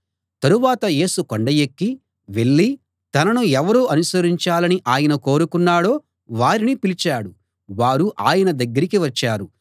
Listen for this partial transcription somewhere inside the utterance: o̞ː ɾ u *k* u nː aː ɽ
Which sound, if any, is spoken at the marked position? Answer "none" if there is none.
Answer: k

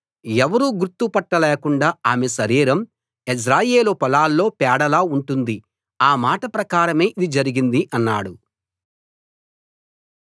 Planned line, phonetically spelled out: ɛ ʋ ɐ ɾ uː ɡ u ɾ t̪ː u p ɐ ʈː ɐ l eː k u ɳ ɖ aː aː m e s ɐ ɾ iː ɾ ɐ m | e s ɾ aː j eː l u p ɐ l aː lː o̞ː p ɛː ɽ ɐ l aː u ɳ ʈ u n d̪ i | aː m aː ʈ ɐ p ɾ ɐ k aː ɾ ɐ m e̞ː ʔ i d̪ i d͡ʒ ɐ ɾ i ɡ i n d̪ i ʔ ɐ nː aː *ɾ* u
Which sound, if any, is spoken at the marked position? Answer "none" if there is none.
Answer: ɽ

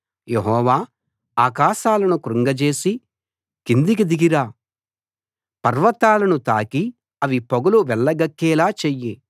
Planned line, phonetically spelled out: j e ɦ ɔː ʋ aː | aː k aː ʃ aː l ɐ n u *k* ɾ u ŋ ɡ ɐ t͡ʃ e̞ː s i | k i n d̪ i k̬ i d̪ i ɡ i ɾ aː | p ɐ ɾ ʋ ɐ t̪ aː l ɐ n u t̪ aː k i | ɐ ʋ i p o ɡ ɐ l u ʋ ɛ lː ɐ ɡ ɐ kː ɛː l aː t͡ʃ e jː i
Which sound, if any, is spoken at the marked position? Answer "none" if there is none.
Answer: k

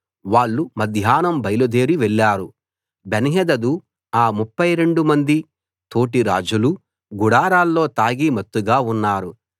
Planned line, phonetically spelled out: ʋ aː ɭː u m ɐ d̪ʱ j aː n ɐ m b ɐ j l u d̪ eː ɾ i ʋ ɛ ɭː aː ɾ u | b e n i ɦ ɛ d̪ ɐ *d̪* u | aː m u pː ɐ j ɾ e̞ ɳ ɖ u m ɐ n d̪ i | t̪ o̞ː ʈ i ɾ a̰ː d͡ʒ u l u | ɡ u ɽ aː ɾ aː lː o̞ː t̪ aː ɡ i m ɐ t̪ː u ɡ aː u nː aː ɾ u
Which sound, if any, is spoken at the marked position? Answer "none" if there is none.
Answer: d̪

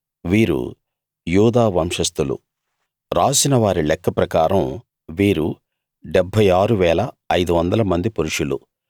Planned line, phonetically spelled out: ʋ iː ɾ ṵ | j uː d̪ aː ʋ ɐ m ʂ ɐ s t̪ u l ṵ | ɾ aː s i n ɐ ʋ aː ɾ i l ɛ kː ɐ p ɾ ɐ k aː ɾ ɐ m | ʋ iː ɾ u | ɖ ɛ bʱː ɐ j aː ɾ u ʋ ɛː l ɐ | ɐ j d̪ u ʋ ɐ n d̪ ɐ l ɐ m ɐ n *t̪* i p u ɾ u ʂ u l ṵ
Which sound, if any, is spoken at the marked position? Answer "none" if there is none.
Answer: d̪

